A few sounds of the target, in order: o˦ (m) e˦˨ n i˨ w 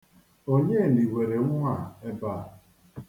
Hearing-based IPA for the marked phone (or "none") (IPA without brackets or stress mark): ɲ